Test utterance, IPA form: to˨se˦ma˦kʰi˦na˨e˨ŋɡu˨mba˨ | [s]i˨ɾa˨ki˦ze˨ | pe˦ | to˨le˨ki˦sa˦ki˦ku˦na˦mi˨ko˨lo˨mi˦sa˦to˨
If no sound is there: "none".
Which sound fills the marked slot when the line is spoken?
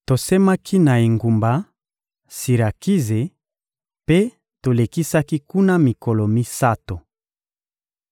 s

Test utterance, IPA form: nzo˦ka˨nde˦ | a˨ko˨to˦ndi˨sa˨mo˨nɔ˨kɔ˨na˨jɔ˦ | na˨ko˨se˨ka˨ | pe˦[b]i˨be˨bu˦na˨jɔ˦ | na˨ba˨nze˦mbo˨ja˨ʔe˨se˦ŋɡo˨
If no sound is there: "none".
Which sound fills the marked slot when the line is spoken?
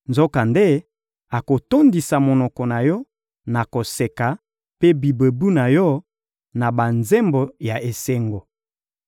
b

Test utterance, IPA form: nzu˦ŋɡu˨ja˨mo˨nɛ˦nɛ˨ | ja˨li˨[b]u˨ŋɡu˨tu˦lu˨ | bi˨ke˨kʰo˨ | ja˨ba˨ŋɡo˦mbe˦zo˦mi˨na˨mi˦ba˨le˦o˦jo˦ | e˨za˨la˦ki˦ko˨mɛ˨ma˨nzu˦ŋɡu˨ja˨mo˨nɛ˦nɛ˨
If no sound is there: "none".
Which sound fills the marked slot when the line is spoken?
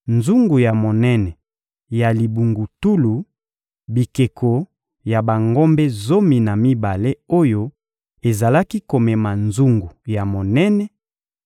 b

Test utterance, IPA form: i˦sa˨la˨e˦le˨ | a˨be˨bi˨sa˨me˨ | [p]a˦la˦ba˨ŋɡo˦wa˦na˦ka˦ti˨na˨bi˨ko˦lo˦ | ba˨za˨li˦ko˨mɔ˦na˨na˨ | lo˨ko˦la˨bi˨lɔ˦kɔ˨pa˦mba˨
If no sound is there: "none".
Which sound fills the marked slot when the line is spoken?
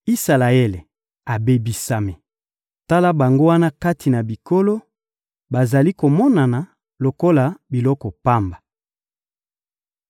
t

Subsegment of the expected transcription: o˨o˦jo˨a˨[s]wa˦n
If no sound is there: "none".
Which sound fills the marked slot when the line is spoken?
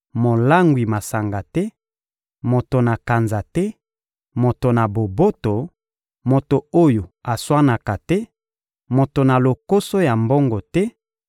s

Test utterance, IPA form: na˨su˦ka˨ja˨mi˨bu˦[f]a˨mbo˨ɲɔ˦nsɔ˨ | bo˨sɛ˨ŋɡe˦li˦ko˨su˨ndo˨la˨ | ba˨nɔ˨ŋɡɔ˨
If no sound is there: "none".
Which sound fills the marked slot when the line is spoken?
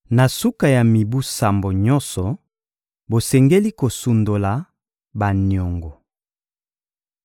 s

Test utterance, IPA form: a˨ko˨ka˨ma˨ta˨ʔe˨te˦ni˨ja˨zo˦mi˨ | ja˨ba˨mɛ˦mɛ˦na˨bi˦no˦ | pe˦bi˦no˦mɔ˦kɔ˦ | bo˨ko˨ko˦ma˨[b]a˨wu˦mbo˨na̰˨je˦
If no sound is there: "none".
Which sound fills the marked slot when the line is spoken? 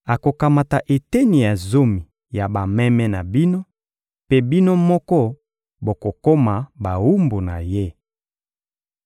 b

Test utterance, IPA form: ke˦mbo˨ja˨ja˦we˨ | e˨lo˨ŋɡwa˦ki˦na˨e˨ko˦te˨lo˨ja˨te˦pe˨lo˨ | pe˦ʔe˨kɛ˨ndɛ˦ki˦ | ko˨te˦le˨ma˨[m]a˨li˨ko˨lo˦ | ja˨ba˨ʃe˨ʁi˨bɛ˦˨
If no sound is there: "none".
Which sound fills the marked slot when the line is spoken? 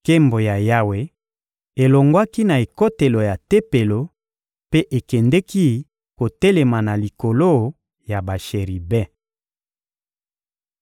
n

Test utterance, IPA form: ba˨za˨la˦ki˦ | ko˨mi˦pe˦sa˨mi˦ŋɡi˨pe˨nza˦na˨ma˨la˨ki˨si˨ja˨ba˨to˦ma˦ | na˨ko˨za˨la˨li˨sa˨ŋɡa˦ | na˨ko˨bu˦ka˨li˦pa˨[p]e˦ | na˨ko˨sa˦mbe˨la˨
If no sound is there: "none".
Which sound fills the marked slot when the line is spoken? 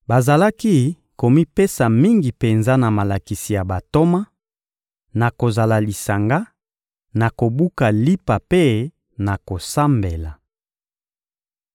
p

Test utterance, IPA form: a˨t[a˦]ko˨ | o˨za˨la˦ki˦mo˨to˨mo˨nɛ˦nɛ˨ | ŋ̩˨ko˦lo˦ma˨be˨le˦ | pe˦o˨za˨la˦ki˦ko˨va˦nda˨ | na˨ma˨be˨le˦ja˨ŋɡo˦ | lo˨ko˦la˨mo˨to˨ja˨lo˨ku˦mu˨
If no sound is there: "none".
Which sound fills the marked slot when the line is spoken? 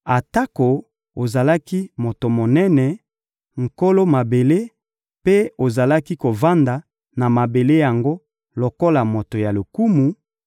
a˦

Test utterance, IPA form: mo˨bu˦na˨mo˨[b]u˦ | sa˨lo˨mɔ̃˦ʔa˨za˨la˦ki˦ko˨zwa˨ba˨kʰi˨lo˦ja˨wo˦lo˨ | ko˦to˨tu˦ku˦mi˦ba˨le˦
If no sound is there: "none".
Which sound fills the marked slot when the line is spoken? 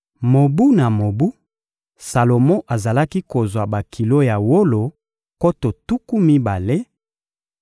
b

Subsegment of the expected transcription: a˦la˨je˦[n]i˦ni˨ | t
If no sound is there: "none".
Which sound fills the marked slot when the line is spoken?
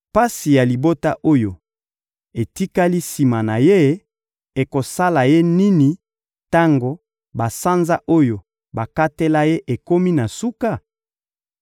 n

